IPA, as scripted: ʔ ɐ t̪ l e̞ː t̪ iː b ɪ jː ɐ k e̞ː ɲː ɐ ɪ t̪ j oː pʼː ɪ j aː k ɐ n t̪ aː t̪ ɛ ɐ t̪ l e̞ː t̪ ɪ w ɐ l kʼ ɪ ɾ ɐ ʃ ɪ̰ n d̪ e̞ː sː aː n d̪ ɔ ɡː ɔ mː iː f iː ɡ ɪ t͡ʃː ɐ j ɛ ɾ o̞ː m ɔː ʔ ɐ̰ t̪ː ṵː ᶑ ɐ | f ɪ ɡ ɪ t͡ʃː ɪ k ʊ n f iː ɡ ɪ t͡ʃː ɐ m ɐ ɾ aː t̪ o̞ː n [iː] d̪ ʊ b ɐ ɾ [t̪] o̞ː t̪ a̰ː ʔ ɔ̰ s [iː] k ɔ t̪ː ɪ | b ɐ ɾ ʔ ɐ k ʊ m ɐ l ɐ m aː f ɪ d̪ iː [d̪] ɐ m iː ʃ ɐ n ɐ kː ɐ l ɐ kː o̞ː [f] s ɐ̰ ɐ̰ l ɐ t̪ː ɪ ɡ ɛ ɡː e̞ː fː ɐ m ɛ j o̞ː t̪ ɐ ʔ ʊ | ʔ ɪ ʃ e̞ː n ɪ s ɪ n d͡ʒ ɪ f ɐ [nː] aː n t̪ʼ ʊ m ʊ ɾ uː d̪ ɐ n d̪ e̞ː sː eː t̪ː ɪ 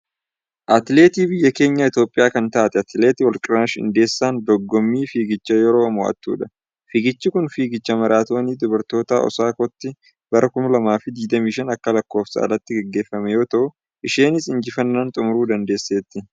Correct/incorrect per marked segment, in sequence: correct, correct, incorrect: aː, correct, correct, correct

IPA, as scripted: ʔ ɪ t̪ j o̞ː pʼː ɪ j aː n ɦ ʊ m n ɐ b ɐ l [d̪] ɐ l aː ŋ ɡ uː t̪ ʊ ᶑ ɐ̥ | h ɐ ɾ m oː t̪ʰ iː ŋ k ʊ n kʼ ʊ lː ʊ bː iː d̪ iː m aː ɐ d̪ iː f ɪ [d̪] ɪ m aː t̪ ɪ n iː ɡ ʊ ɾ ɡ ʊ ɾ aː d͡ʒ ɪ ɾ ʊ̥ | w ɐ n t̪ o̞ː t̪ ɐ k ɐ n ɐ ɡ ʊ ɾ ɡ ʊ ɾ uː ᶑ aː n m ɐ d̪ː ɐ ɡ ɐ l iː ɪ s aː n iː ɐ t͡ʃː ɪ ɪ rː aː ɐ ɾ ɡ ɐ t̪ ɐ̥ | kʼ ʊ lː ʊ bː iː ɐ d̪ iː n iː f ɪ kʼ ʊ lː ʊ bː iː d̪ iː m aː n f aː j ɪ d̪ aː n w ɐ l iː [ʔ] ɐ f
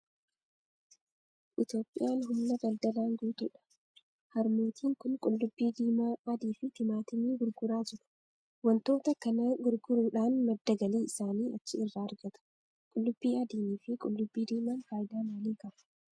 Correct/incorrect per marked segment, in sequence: correct, incorrect: t̪, incorrect: k

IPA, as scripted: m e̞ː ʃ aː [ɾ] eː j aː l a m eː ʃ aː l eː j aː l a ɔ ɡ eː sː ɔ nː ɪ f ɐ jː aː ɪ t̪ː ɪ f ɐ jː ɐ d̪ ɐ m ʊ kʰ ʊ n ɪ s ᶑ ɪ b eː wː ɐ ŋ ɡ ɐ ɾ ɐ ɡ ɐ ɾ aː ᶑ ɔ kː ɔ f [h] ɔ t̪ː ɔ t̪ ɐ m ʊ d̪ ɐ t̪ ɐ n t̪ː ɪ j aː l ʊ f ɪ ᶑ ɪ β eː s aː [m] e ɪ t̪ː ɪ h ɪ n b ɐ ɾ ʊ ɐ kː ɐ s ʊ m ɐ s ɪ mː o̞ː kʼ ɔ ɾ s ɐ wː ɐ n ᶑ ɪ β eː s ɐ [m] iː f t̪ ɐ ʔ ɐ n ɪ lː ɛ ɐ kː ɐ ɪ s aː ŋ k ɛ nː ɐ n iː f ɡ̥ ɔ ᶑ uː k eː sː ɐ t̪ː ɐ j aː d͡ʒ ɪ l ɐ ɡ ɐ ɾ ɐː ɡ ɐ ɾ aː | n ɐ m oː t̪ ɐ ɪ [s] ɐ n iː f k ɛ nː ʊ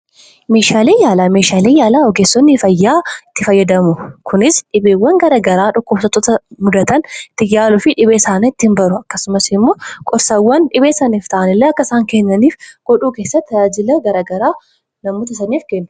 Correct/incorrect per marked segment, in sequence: incorrect: l, incorrect: s, incorrect: n, incorrect: n, correct

